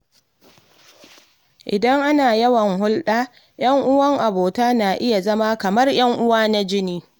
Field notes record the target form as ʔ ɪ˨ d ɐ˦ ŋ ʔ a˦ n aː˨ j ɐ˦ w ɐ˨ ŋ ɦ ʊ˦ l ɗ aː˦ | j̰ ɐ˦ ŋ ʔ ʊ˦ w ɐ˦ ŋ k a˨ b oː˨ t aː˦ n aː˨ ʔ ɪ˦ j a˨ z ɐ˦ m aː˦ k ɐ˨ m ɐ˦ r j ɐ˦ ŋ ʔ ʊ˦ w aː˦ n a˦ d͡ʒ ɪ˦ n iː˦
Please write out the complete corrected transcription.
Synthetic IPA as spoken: ʔ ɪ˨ d ɐ˦ ŋ ʔ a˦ n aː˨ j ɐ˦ w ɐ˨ ŋ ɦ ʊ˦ l ɗ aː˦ | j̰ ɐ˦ ŋ ʔ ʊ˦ w ɐ˦ ŋ ʔ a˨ b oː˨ t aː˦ n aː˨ ʔ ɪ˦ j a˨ z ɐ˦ m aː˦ k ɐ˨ m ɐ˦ r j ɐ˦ ŋ ʔ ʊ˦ w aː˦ n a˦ d͡ʒ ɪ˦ n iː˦

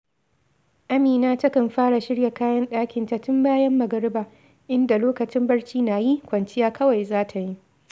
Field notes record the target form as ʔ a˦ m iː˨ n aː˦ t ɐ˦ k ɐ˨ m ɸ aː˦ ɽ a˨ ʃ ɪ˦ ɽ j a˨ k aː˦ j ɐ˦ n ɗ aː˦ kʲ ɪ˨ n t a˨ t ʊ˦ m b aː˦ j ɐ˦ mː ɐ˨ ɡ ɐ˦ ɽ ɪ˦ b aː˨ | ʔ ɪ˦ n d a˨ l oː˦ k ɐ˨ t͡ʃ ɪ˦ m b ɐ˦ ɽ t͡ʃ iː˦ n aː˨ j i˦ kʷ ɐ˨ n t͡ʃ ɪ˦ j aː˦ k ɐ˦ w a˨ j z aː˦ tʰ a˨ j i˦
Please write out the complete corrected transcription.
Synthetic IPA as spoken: ʔ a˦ m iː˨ n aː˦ t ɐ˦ k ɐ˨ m ɸ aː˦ ɽ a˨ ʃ ɪ˦ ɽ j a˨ k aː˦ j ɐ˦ n ɗ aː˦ kʲ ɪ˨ n t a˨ t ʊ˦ m b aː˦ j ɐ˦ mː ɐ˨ ɡ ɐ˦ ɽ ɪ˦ b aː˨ | ʔ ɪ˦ n d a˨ l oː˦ k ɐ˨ t͡ʃ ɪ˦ m b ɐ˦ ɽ t͡ʃ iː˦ n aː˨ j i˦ kʷ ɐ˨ n t͡ʃ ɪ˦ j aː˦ k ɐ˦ w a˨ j z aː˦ tʰ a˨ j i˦

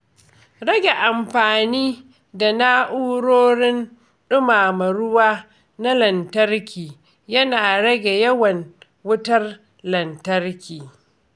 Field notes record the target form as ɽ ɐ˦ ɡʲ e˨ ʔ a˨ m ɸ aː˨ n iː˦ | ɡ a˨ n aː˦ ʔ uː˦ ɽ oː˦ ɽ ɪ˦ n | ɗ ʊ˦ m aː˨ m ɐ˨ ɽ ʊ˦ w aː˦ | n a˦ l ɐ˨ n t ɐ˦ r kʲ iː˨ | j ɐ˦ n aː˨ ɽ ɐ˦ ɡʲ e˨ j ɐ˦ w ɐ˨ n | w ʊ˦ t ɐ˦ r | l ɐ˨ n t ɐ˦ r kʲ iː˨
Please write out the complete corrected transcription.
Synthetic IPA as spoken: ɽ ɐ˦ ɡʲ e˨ ʔ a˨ m ɸ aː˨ n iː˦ | d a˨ n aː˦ ʔ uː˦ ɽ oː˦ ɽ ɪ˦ n | ɗ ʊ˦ m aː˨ m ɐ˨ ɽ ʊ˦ w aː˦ | n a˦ l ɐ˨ n t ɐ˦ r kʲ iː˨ | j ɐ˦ n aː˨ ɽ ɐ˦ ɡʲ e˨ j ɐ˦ w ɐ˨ n | w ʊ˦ t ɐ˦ r | l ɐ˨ n t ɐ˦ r kʲ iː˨

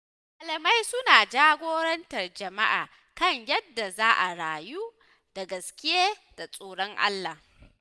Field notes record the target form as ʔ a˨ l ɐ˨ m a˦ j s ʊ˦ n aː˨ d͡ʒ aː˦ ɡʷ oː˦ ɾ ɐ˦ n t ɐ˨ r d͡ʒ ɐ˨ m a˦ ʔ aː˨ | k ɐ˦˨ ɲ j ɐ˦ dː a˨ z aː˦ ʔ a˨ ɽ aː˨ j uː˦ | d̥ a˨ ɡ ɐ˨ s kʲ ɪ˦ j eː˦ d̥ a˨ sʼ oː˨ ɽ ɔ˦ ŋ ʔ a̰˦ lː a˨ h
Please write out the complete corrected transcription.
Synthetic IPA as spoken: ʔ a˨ l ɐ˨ m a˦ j s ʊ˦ n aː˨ d͡ʒ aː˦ ɡʷ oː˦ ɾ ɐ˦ n t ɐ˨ r d͡ʒ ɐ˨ m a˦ ʔ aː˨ | k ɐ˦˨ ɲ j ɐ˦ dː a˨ z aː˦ ʔ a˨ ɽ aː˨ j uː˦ | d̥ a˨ ɡ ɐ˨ s kʲ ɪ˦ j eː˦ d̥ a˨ sʼ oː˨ ɽ ɔ˦ ŋ ʔ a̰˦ lː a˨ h

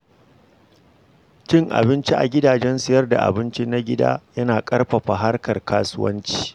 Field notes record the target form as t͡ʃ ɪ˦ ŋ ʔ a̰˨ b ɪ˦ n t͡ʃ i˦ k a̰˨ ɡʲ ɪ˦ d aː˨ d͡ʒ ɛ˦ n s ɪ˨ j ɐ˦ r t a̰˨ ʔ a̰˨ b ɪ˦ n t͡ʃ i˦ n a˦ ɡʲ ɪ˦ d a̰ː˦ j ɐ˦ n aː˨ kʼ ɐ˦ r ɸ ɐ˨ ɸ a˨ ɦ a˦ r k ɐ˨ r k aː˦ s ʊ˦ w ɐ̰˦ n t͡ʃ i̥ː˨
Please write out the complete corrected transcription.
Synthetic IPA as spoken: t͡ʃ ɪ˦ ŋ ʔ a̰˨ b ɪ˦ n t͡ʃ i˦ ʔ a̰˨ ɡʲ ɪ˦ d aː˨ d͡ʒ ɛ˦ n s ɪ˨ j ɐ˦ r d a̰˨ ʔ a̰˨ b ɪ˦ n t͡ʃ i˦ n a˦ ɡʲ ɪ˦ d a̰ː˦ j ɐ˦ n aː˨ kʼ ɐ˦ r ɸ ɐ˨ ɸ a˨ ɦ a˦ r k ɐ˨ r k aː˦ s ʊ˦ w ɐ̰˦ n t͡ʃ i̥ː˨

